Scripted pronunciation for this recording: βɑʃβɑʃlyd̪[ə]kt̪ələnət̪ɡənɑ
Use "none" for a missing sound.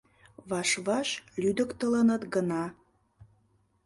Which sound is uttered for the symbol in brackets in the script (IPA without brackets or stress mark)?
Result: ə